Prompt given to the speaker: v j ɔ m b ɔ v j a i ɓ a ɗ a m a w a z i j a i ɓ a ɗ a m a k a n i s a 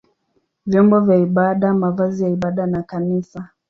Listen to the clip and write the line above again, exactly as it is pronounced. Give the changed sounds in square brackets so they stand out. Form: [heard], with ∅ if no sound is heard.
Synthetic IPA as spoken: v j ɔ m b ɔ v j a i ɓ a ɗ a m a [v] a z i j a i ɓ a ɗ a [n] a k a n i s a

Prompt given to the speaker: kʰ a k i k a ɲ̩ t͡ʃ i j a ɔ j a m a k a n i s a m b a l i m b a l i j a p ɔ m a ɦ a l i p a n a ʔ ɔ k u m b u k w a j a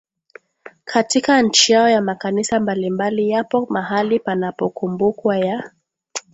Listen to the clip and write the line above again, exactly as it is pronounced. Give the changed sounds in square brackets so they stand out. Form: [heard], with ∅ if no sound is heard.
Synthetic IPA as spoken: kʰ a [t] i k a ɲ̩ t͡ʃ i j a ɔ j a m a k a n i s a m b a l i m b a l i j a p ɔ m a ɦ a l i p a n a [p] ɔ k u m b u k w a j a

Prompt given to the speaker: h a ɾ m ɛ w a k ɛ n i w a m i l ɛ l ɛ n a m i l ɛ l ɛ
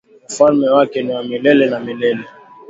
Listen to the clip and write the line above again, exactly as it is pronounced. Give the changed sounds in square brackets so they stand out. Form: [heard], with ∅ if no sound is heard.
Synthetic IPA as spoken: [f] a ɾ m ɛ w a k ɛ n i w a m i l ɛ l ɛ n a m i l ɛ l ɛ

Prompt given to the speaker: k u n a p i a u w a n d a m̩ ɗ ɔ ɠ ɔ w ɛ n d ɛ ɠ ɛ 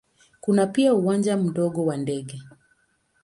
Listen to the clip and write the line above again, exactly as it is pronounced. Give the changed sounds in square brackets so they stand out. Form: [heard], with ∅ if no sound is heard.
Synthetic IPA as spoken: k u n a p i a u w a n [d͡ʒ] a m̩ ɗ ɔ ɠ ɔ w [a] n d ɛ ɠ ɛ

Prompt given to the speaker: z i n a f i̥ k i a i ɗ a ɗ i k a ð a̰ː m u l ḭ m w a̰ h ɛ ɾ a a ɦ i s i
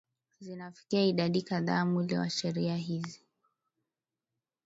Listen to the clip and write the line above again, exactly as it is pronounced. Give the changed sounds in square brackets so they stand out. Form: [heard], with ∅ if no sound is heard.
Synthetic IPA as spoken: z i n a f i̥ k i a i ɗ a ɗ i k a ð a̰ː m u l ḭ [∅] w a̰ [ʃ] ɛ ɾ [i] a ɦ i [z] i

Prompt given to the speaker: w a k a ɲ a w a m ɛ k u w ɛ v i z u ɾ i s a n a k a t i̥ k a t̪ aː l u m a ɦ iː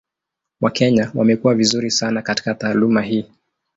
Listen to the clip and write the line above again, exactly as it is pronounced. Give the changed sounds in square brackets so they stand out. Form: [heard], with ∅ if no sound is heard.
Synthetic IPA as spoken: w a k [ɛ] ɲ a w a m ɛ k u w [a] v i z u ɾ i s a n a k a t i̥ k a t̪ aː l u m a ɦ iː

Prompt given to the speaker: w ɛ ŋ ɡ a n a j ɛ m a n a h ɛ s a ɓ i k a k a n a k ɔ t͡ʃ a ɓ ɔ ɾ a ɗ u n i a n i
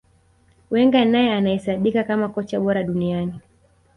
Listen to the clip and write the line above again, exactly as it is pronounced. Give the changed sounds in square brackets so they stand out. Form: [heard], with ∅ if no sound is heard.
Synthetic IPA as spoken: w ɛ ŋ ɡ a n a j ɛ [∅] a n a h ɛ s a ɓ i k a k a [m] a k ɔ t͡ʃ a ɓ ɔ ɾ a ɗ u n i a n i

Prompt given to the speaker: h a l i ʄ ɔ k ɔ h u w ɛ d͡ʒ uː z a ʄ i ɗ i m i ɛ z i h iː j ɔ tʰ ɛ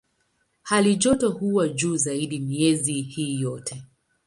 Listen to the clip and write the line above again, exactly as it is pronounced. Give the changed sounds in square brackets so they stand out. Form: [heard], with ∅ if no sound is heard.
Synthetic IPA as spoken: h a l i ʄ ɔ [t] ɔ h u w [a] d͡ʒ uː z a [∅] i ɗ i m i ɛ z i h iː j ɔ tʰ ɛ

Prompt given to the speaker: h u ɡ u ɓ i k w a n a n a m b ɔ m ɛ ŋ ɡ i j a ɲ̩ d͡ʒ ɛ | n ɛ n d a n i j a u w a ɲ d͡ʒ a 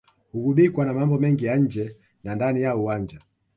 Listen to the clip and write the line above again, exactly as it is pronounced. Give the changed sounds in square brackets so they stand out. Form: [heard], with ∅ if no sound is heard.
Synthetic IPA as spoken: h u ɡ u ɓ i k w a n a [m] a m b ɔ m ɛ ŋ ɡ i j a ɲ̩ d͡ʒ ɛ | n [a] n d a n i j a u w a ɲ d͡ʒ a

